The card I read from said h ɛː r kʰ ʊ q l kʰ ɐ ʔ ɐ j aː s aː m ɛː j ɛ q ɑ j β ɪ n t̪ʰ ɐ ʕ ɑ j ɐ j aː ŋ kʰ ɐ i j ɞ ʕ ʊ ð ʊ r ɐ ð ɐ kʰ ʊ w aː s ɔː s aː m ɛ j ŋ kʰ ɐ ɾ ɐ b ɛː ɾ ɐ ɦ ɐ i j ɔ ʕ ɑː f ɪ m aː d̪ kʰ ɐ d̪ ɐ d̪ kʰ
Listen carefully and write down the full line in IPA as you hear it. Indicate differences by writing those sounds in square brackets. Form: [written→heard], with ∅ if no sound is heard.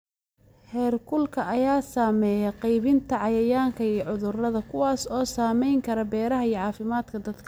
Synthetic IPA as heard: h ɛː r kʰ ʊ [q→∅] l kʰ ɐ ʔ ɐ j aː s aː m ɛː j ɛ q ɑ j β ɪ n t̪ʰ ɐ ʕ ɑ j ɐ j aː ŋ kʰ ɐ i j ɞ ʕ ʊ ð ʊ r ɐ ð ɐ kʰ ʊ w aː s ɔː s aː m ɛ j ŋ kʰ ɐ ɾ ɐ b ɛː ɾ ɐ ɦ ɐ i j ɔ ʕ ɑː f ɪ m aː d̪ kʰ ɐ d̪ ɐ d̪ kʰ

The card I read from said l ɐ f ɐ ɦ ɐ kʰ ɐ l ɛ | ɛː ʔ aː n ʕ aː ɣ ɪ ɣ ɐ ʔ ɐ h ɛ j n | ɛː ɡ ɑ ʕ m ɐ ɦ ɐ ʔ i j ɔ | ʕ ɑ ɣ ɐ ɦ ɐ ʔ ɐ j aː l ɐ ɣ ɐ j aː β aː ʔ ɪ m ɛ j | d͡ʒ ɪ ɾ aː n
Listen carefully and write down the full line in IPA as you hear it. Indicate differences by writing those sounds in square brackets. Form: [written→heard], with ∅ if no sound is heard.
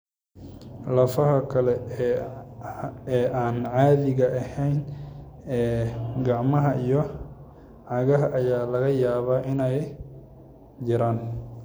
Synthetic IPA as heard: l ɐ f ɐ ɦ ɐ kʰ ɐ l ɛ | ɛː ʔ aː n ʕ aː [ɣ→ð] ɪ ɣ ɐ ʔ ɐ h ɛ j n | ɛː ɡ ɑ ʕ m ɐ ɦ ɐ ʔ i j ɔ | ʕ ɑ ɣ ɐ ɦ ɐ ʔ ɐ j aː l ɐ ɣ ɐ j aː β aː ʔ ɪ [m→n] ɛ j | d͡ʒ ɪ ɾ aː n

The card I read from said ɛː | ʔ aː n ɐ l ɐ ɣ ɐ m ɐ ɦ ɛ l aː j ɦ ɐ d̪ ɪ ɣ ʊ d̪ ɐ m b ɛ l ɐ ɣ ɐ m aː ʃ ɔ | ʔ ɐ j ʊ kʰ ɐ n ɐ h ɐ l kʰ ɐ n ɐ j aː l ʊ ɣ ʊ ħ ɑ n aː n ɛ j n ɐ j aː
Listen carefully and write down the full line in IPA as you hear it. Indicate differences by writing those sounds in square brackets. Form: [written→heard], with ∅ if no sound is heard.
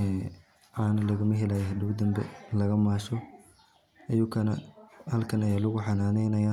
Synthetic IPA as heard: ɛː | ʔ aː n ɐ l ɐ ɣ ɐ m ɐ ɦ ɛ l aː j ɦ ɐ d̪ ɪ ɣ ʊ d̪ ɐ m b ɛ l ɐ ɣ ɐ m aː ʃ ɔ | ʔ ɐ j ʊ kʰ ɐ n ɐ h ɐ l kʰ ɐ n ɐ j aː l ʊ ɣ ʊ ħ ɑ n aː n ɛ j n ɐ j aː

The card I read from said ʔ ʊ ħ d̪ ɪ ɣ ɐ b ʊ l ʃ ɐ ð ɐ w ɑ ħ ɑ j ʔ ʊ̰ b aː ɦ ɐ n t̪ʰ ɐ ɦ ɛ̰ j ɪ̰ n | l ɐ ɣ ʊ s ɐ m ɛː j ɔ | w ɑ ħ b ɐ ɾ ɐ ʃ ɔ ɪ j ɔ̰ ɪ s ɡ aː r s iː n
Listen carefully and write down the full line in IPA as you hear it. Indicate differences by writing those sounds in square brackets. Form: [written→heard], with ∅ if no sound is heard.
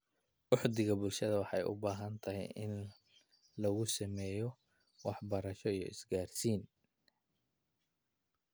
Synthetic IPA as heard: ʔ ʊ ħ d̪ ɪ ɣ ɐ b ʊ l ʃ ɐ ð ɐ w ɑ ħ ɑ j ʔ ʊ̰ b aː ɦ ɐ n t̪ʰ ɐ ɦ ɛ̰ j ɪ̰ n | l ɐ ɣ ʊ s ɐ m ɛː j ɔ | w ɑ ħ b ɐ ɾ ɐ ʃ ɔ [ɪ→i] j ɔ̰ ɪ s ɡ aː r s iː n

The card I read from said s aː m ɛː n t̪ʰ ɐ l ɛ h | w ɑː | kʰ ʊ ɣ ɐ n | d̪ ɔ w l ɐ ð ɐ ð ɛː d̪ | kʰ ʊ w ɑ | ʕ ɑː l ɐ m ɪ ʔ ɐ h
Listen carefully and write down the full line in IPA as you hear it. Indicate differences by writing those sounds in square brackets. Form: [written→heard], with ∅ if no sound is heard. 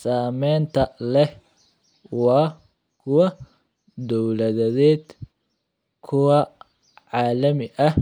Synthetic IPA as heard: s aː m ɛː n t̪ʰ ɐ l ɛ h | w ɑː | kʰ ʊ [ɣ→w] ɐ [n→∅] | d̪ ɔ w l ɐ ð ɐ ð ɛː d̪ | kʰ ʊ w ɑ | ʕ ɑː l ɐ m ɪ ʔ ɐ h

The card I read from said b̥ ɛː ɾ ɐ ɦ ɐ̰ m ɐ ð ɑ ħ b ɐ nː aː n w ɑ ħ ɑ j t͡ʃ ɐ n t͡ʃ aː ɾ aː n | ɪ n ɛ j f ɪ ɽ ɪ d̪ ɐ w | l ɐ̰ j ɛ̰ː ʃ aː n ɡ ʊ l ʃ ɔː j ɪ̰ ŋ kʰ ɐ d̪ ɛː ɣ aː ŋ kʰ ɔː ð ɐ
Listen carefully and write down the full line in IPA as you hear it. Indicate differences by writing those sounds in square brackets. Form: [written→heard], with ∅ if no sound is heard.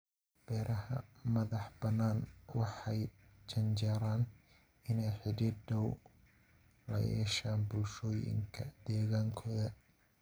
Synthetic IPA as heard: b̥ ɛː ɾ ɐ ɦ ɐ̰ m ɐ ð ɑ ħ b ɐ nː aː n w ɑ ħ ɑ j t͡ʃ ɐ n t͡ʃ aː ɾ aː n | ɪ n ɛ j [f→ħ] ɪ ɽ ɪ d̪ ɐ w | l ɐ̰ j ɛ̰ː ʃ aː n [ɡ→b] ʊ l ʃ ɔː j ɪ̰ ŋ kʰ ɐ d̪ ɛː ɣ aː ŋ kʰ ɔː ð ɐ

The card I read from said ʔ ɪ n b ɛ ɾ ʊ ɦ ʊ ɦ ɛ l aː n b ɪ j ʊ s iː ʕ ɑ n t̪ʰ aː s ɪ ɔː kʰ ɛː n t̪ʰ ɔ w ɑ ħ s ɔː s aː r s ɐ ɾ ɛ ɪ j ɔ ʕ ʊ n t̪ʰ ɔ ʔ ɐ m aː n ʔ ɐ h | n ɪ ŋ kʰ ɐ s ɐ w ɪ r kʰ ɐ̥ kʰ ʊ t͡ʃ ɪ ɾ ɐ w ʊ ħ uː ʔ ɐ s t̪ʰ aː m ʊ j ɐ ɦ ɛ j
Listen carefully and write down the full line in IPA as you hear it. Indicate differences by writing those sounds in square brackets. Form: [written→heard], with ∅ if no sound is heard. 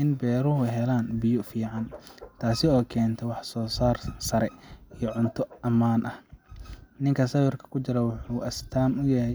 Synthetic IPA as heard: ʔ ɪ n b [ɛ→ɛː] ɾ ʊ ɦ ʊ ɦ ɛ l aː n b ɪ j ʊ [s→f] iː ʕ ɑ n t̪ʰ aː s ɪ ɔː kʰ ɛː n t̪ʰ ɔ w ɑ ħ s ɔː s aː r s ɐ ɾ ɛ [ɪ→i] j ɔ ʕ ʊ n t̪ʰ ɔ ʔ ɐ m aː n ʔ ɐ h | n ɪ ŋ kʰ ɐ s ɐ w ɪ r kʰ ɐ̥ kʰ ʊ t͡ʃ ɪ ɾ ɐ w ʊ ħ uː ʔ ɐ s t̪ʰ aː m ʊ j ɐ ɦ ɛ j

